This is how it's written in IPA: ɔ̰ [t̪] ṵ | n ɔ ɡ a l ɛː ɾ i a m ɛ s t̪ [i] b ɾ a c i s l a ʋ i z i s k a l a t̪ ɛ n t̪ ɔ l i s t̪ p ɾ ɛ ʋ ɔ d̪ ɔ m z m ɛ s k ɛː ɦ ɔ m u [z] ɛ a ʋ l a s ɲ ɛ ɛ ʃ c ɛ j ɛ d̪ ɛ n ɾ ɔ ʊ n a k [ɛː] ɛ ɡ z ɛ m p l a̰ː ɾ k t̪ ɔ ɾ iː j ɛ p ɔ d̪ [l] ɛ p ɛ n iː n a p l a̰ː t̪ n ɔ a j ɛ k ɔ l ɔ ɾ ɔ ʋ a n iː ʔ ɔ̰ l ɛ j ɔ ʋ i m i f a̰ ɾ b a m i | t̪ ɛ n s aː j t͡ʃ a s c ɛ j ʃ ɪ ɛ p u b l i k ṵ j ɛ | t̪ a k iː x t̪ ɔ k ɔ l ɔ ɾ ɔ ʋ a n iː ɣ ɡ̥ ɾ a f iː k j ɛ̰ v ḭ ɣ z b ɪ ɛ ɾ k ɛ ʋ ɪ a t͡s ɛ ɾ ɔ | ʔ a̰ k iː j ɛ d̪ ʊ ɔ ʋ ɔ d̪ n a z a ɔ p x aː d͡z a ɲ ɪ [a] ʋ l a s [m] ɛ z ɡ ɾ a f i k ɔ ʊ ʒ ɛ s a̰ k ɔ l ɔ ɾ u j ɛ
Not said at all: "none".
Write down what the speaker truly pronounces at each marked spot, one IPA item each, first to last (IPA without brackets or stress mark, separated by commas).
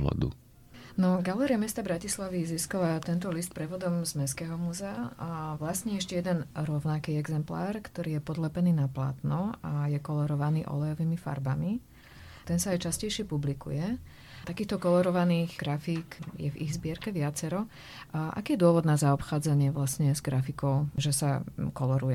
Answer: d̪, a, z, iː, l, ɛ, ɲ